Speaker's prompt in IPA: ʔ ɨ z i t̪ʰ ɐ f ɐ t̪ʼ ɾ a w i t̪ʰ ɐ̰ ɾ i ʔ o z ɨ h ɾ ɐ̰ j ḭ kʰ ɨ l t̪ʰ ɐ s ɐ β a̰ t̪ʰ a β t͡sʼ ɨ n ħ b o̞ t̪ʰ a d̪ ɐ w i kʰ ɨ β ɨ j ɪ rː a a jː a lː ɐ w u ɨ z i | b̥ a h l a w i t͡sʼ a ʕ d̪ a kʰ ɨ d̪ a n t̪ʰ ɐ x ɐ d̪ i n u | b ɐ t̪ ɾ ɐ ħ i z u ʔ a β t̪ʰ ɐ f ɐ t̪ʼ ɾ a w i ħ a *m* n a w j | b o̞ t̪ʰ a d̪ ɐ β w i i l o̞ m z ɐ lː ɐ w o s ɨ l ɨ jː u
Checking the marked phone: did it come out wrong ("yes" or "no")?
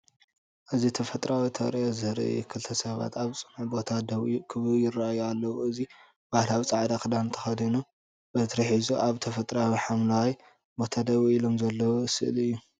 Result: no